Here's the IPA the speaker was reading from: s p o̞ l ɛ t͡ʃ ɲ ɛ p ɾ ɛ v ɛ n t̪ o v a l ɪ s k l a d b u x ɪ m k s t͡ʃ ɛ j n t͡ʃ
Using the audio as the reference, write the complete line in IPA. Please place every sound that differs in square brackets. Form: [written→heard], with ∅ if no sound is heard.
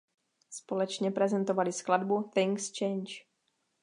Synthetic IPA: s p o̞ l ɛ t͡ʃ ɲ ɛ p ɾ ɛ [v→z] ɛ n t̪ o v a l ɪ s k l a d b u [x→θ] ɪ [m→ŋ] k s t͡ʃ ɛ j n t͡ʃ